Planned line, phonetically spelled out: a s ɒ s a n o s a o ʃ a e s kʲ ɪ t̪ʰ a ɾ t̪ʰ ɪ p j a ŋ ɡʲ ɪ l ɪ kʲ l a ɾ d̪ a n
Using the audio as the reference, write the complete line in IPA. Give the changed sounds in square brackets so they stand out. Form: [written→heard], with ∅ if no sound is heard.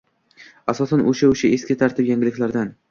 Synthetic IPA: a s ɒ s a n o [s→ʃ] a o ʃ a e s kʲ ɪ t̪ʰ a ɾ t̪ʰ ɪ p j a ŋ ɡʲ ɪ l ɪ kʲ l a ɾ d̪ a n